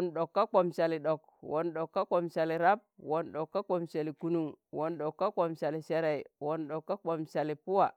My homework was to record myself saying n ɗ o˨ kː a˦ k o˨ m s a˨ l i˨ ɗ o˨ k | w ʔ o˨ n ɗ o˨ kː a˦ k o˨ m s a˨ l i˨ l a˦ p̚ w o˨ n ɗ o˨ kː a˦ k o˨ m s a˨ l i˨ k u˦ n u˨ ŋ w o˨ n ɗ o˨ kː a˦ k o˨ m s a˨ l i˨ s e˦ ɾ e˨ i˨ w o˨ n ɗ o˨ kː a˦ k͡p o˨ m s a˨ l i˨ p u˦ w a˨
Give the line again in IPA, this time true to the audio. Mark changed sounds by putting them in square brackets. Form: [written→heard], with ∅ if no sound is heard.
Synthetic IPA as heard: n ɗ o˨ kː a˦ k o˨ m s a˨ l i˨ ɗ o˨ k | w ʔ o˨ n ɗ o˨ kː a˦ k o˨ m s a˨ l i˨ [l→ɾ] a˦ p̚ w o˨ n ɗ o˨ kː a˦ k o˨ m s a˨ l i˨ k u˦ n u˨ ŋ w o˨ n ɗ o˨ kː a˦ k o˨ m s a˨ l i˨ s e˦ ɾ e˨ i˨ w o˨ n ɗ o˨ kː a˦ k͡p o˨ m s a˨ l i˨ p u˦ w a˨

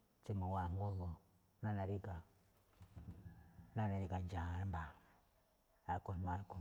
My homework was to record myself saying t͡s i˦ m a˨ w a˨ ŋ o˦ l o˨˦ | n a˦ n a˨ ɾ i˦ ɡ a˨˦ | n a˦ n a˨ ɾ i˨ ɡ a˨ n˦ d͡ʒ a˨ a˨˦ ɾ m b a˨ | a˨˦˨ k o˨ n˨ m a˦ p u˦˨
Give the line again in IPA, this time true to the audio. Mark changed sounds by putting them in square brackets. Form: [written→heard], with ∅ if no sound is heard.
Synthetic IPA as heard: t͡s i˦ m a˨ w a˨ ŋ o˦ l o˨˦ | n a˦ n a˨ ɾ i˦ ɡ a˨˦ | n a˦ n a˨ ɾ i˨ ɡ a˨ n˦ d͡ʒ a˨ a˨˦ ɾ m b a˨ | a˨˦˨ k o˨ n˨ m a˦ [p→k] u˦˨

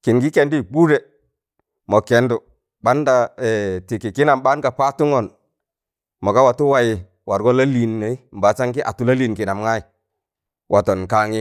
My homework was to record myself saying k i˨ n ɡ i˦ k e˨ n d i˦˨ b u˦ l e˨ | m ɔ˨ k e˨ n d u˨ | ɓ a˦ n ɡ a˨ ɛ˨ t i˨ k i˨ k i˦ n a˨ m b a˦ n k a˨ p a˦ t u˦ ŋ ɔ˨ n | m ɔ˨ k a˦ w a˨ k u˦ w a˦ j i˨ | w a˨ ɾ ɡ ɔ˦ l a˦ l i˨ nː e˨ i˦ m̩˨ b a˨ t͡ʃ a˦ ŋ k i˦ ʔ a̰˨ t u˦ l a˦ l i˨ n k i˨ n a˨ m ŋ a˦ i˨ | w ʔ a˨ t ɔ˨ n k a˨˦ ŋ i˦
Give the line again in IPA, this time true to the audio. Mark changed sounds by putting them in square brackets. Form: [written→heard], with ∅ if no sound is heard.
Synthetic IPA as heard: k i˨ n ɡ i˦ k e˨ n d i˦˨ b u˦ [l→ɾ] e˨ | m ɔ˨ k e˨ n d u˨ | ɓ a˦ n [ɡ→d] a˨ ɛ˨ t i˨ k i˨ k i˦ n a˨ m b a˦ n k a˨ p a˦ t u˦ ŋ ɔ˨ n | m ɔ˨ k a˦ w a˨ [k→t] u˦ w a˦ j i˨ | w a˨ ɾ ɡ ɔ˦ l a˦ l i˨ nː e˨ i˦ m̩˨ b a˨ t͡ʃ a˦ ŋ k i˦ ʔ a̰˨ t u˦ l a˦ l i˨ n k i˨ n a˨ m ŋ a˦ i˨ | w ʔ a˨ t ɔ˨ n k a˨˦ ŋ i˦

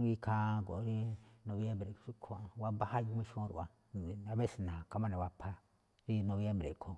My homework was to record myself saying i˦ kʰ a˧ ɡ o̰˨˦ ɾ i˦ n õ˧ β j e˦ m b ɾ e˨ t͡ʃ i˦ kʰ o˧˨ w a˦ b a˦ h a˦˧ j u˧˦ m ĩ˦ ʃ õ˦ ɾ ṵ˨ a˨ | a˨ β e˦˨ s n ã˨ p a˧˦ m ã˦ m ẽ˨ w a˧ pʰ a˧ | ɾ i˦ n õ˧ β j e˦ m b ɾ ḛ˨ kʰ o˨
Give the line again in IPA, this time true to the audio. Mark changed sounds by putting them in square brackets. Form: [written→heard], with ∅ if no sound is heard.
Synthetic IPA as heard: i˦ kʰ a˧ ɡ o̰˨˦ ɾ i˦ n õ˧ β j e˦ m b ɾ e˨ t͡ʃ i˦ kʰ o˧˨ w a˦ b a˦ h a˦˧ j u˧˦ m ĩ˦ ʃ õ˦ ɾ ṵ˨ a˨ | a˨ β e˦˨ s n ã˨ [p→k] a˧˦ m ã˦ [m→n] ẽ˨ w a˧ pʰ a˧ | ɾ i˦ n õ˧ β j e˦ m b ɾ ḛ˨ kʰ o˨

